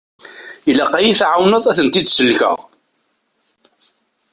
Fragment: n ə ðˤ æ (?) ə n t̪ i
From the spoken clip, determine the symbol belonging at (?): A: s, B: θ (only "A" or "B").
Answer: B